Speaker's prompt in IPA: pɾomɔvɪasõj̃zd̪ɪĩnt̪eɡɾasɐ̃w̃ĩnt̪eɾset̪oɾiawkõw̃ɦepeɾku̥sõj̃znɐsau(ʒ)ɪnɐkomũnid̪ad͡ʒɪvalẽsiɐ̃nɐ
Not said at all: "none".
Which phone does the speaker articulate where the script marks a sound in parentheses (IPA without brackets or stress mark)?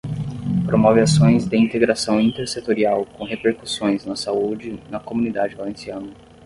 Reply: d͡ʒ